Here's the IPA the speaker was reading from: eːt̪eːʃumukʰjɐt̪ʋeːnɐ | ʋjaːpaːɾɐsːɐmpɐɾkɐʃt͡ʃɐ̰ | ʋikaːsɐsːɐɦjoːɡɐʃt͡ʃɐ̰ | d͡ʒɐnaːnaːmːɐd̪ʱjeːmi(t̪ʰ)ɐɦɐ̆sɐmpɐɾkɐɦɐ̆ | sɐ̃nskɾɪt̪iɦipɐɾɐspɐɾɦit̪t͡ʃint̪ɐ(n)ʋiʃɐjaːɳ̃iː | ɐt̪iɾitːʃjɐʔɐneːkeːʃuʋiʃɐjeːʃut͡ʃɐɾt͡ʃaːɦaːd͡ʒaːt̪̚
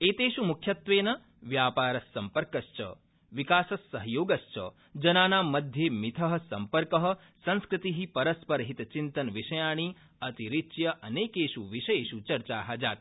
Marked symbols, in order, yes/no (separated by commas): yes, yes